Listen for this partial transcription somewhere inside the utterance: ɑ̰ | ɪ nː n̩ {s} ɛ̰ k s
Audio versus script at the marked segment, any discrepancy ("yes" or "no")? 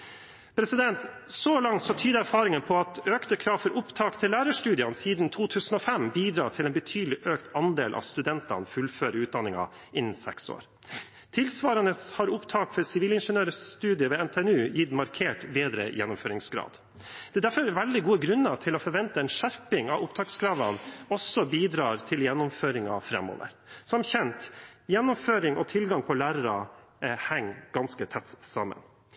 no